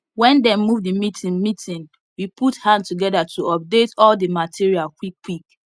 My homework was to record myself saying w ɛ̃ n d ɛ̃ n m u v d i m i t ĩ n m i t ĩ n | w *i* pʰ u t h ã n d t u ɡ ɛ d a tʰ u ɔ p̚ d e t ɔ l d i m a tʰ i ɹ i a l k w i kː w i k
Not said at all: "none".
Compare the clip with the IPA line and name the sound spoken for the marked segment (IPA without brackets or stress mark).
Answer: i